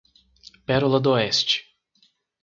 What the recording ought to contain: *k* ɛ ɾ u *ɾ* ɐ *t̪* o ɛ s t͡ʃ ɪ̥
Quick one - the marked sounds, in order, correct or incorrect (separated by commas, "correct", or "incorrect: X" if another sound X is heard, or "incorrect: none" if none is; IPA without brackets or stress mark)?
incorrect: p, incorrect: l, incorrect: d̪